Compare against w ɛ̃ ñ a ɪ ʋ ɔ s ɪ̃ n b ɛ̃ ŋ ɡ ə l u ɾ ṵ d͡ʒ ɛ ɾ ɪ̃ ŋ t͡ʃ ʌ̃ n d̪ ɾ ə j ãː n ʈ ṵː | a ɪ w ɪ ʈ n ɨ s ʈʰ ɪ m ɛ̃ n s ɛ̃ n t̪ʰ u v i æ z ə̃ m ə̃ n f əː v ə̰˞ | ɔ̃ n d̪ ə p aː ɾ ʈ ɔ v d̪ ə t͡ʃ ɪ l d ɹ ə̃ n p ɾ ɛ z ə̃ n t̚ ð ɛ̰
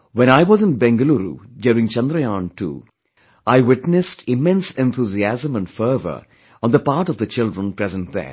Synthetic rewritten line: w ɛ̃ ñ a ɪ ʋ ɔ z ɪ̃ n b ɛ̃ ŋ ɡ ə l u ɾ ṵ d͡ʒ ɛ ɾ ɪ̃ ŋ t͡ʃ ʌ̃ n d̪ ɾ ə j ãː n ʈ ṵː | a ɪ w ɪ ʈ n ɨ s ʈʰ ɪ m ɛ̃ n s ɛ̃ n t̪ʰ u z i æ z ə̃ m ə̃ n f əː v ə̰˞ | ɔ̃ n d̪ ə p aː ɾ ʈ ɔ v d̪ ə t͡ʃ ɪ l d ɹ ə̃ n p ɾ ɛ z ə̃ n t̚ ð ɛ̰